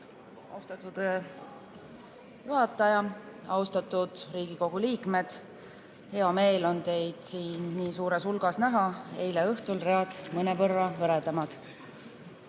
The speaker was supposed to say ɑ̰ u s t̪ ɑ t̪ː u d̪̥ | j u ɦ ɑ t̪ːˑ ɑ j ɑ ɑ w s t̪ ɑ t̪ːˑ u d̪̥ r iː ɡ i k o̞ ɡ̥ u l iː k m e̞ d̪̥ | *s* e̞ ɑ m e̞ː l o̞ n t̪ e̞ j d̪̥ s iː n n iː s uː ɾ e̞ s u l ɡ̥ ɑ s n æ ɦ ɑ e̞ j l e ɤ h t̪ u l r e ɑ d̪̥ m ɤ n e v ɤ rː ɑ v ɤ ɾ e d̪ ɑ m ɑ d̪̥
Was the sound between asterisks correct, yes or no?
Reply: no